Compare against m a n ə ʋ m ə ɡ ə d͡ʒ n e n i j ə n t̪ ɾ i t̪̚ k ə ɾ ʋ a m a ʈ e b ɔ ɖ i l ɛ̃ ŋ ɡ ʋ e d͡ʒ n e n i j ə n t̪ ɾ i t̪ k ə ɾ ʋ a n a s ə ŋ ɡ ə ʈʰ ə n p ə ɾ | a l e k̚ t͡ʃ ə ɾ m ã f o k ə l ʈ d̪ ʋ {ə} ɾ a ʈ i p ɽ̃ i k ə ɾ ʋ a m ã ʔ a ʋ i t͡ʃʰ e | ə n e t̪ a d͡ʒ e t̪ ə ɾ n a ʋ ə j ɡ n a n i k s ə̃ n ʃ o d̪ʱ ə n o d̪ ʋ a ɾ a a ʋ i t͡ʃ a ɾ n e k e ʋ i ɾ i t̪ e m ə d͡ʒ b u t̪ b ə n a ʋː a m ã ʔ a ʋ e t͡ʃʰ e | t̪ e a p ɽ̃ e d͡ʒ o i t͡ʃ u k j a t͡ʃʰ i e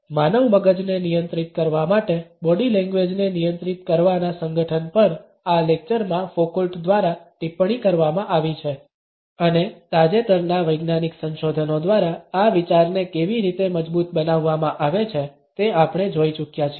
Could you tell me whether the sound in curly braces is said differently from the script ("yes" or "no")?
yes